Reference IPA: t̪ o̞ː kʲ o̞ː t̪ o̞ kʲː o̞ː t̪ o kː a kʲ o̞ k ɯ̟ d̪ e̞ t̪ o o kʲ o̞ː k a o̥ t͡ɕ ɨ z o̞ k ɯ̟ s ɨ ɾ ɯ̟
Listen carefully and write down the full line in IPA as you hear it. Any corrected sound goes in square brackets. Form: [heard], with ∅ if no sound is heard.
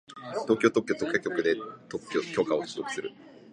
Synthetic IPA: t̪ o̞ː kʲ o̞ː t̪ o̞ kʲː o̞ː t̪ o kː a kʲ o̞ k ɯ̟ d̪ e̞ t̪ o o kʲ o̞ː k a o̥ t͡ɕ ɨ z o̞ k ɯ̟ s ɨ ɾ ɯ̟